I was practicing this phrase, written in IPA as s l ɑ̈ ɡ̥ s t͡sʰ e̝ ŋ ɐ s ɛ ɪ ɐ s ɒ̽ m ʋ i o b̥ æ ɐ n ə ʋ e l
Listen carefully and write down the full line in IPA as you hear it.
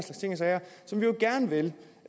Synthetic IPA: s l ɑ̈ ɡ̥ s t͡sʰ e̝ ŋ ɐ s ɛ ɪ ɐ s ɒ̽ m ʋ i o ɡ̥ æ ɐ n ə ʋ e l